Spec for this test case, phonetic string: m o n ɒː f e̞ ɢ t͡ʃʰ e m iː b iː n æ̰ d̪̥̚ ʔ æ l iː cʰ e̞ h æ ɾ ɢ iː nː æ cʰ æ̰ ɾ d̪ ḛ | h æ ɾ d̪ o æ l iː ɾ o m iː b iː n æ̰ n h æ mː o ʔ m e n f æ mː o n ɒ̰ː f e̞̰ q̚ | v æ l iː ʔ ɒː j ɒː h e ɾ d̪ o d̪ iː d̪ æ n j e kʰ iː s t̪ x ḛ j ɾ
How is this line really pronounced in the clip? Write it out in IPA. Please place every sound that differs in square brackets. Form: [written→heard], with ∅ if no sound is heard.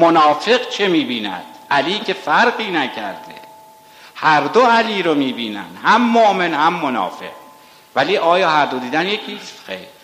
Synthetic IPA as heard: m o n ɒː f e̞ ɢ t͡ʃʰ e m iː b iː n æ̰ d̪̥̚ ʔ æ l iː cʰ e̞ [h→f] æ ɾ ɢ iː [nː→n] æ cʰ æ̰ ɾ d̪ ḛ | h æ ɾ d̪ o æ l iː ɾ o m iː b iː n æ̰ n h æ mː o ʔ m e n [f→h] æ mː o n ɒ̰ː f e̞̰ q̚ | v æ l iː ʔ ɒː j ɒː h [e→æ] ɾ d̪ o d̪ iː d̪ æ n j e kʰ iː s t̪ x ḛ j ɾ